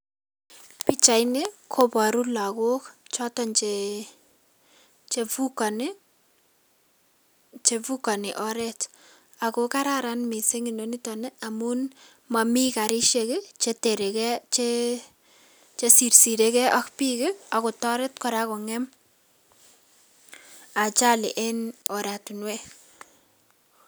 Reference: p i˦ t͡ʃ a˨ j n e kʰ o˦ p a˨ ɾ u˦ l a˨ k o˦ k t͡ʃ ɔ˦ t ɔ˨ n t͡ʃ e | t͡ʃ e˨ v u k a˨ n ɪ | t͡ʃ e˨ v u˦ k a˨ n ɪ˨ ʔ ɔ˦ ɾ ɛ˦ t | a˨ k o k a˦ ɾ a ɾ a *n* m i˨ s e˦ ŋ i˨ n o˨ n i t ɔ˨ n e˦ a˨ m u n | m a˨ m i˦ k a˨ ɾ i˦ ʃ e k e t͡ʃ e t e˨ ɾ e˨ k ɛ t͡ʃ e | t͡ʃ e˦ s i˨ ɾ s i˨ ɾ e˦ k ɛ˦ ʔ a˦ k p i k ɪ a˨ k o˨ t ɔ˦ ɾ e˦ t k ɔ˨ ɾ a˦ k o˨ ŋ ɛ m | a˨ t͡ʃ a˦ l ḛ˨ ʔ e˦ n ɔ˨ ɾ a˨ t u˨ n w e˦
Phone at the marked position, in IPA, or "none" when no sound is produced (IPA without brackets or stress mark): n